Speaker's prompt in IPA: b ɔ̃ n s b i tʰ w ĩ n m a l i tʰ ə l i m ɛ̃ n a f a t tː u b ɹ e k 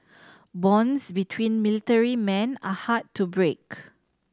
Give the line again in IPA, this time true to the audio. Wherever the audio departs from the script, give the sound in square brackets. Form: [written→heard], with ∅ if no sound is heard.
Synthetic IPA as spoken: b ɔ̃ n s b i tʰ w ĩ n m [a→i] l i [tʰ→t] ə [l→ɹ] i m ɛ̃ n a [f→h] a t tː u b ɹ e k